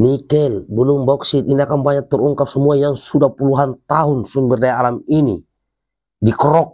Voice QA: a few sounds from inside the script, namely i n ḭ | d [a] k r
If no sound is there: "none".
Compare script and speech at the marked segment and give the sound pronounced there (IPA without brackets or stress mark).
i